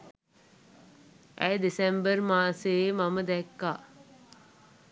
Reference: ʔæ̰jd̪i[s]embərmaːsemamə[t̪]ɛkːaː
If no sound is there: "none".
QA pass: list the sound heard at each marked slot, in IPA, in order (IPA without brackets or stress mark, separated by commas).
s, d̪